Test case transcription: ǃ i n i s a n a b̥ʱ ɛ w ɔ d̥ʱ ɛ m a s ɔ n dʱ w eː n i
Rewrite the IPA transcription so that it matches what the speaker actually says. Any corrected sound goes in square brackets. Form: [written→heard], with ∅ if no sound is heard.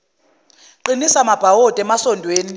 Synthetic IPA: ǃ i n i s a [n→m] a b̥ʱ [ɛ→a] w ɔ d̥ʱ ɛ m a s ɔ n dʱ w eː n i